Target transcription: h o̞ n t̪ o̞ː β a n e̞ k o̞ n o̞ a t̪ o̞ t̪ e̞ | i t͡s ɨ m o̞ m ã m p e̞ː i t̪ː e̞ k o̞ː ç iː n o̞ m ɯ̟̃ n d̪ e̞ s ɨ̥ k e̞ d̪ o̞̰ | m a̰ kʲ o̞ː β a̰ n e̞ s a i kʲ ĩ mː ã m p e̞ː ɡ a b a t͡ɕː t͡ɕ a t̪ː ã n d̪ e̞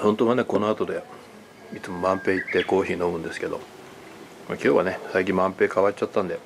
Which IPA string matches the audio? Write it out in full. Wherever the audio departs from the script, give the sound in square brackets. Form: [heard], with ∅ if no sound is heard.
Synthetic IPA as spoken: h o̞ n t̪ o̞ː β a n e̞ k o̞ n o̞ a t̪ o̞ [d̪] e̞ | i t͡s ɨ m o̞ m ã m p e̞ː i t̪ː e̞ k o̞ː ç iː n o̞ m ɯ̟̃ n d̪ e̞ s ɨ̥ k e̞ d̪ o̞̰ | m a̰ kʲ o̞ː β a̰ n e̞ s a i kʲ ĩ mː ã m p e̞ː [k] a [β] a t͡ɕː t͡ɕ a t̪ː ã n d̪ e̞